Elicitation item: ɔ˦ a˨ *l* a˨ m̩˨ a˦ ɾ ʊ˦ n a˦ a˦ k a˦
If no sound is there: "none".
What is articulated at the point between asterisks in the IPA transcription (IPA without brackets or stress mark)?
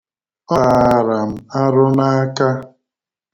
ɾ